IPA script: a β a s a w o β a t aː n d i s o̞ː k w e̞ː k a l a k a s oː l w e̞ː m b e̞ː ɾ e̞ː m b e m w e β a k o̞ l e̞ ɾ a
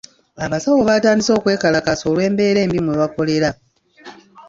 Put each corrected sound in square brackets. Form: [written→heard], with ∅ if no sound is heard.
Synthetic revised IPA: a β a s a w o β a t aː n d i s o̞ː k w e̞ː k a l a k a s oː l w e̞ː m b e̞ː ɾ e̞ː m b [e→i] m w e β a k o̞ l e̞ ɾ a